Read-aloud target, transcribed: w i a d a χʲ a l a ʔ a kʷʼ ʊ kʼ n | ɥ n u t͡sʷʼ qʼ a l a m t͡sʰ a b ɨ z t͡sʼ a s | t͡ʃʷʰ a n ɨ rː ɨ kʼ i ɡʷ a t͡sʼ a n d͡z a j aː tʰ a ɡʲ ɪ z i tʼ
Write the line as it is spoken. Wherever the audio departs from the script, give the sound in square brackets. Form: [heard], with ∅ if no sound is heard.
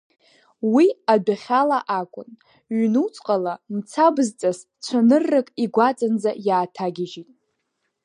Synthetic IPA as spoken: w i a d a χʲ a l a ʔ a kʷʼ ʊ [∅] n | ɥ n u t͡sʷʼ qʼ a l a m t͡sʰ a b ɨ z t͡sʼ a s | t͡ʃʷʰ a n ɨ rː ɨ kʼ i ɡʷ a t͡sʼ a n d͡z a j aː tʰ a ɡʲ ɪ [ʒ] i tʼ